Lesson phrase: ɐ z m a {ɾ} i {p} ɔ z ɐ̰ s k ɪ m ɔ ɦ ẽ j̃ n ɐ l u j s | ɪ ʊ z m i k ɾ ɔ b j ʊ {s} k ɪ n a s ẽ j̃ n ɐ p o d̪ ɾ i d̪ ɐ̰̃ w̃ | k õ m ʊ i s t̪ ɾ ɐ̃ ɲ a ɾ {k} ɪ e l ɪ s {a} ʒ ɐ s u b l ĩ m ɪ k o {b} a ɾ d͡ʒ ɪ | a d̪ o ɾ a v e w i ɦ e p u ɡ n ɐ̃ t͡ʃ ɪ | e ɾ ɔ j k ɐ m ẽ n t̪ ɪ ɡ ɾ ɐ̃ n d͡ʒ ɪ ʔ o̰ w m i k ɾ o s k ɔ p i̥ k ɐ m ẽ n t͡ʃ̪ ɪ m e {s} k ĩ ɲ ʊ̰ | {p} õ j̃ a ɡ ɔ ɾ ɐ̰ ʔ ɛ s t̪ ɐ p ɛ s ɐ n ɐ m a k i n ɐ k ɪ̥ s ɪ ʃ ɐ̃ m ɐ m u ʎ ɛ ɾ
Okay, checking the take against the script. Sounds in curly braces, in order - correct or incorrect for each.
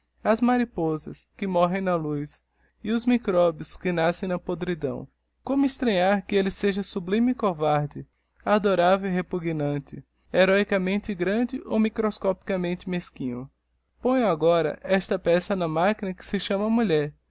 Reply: correct, correct, correct, correct, incorrect: e, incorrect: v, correct, correct

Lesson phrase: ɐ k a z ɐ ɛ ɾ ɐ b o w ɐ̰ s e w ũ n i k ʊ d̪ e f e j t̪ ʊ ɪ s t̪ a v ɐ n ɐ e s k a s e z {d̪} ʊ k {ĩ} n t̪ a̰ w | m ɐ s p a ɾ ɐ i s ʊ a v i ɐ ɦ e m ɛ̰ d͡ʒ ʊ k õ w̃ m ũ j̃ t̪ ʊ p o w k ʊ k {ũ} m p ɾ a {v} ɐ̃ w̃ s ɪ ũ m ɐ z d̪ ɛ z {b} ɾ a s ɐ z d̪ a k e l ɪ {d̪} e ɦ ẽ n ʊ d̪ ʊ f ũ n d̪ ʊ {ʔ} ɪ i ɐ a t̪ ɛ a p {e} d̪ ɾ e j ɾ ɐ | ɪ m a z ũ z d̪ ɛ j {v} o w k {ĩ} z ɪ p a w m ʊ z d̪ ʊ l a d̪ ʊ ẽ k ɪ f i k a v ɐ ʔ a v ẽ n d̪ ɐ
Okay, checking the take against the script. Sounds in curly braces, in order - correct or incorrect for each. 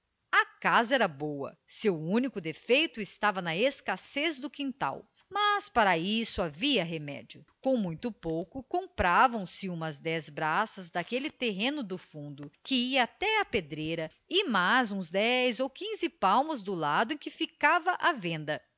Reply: correct, correct, incorrect: õ, correct, correct, incorrect: t̪, incorrect: k, correct, incorrect: z, correct

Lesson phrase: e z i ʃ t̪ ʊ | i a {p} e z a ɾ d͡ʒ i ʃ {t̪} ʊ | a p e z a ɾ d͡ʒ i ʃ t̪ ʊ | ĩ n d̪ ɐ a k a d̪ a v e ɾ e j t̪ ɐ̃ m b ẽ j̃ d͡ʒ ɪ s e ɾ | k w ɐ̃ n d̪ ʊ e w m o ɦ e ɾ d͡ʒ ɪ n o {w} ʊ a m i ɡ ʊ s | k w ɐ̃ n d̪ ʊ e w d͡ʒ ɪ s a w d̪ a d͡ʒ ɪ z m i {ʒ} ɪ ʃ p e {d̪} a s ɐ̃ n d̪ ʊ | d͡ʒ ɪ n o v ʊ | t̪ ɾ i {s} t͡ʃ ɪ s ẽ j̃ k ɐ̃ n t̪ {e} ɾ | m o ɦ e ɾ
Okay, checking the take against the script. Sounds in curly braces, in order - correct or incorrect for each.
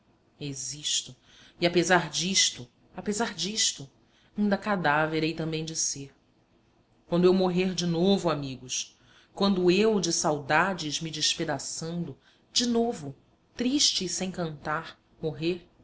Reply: correct, correct, incorrect: v, incorrect: d͡ʒ, correct, incorrect: ʃ, incorrect: a

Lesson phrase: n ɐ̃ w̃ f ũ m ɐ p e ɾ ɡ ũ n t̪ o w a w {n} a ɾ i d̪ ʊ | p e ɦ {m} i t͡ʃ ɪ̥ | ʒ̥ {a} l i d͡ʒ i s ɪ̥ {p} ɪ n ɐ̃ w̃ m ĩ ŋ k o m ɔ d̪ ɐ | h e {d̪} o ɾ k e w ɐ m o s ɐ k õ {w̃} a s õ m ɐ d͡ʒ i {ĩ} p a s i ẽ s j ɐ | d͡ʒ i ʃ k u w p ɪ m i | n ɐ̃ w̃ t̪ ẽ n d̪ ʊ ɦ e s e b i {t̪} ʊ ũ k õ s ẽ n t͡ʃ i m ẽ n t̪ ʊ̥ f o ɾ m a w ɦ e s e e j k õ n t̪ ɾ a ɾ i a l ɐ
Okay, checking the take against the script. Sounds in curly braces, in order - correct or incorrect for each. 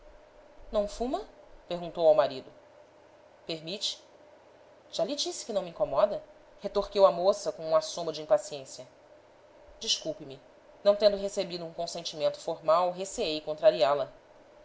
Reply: incorrect: m, correct, correct, incorrect: k, incorrect: t̪, incorrect: ũ, correct, incorrect: d̪

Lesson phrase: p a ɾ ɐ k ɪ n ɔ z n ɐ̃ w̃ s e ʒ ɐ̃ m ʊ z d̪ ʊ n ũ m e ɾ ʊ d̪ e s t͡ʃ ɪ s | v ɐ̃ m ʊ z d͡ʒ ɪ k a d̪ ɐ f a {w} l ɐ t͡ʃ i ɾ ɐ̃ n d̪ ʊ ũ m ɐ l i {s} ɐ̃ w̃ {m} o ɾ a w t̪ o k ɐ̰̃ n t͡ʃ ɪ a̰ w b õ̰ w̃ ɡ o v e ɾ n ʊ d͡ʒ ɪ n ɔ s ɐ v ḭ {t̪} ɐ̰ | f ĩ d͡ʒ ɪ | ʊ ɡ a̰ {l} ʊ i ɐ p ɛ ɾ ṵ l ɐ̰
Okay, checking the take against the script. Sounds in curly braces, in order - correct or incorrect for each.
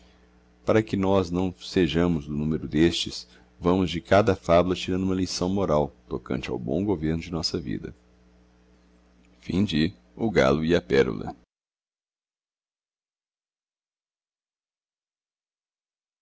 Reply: incorrect: b, correct, correct, incorrect: d̪, correct

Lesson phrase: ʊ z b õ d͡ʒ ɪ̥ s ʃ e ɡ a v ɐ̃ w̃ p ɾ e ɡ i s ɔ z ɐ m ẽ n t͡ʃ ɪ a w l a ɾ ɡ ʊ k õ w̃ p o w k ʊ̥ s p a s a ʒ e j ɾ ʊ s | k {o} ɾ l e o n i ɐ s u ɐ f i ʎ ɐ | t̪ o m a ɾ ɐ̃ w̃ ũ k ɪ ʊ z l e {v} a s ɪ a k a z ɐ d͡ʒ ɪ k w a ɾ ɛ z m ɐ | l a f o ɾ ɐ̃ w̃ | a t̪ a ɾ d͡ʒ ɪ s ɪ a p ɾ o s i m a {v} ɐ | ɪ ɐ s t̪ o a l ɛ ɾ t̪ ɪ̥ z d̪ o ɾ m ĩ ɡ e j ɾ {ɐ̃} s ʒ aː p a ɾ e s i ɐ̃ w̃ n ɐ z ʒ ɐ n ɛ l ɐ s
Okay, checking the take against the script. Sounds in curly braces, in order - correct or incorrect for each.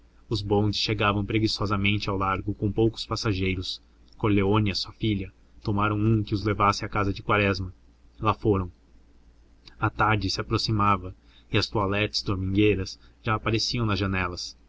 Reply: correct, correct, correct, incorrect: ɐ

